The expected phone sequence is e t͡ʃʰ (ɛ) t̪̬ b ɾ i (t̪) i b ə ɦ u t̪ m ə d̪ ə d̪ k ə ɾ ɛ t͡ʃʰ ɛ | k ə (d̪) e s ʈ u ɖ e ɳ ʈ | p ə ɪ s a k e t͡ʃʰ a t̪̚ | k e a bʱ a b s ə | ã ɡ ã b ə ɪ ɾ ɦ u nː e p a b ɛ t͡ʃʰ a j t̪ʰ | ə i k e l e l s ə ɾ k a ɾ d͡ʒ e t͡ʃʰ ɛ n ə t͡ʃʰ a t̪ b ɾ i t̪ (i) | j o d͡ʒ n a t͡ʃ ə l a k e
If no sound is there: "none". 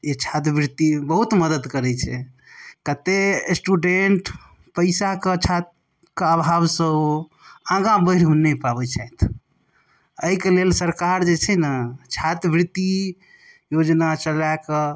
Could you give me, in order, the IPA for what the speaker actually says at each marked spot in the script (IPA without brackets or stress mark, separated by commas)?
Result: a, t̪, t̪, i